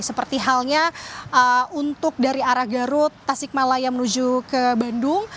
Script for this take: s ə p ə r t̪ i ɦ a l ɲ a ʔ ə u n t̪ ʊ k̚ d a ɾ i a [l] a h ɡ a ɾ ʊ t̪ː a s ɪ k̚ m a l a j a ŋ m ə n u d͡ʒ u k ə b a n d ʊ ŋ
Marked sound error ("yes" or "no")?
yes